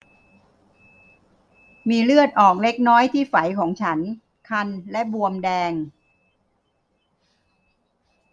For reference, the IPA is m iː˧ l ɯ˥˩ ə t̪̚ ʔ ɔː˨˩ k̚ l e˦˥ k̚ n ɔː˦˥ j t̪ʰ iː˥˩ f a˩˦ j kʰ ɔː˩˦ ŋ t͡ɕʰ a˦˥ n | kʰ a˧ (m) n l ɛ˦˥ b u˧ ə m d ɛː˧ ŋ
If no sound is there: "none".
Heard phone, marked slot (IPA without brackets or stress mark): none